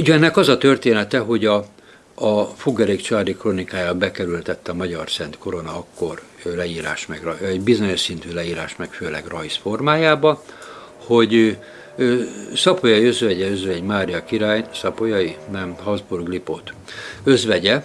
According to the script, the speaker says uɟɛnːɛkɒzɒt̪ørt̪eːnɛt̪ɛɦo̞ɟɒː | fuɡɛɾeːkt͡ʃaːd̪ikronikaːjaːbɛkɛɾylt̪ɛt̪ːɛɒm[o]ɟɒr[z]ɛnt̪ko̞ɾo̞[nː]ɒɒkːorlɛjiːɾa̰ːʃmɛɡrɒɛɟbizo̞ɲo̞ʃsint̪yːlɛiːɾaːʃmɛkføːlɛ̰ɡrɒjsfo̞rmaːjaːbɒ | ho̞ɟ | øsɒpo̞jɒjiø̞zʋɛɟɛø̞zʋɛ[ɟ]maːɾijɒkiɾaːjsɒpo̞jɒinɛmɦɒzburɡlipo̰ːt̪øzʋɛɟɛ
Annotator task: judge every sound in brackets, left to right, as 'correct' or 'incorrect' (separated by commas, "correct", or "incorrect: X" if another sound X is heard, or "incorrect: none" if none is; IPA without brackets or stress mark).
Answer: incorrect: ɒ, incorrect: s, incorrect: n, correct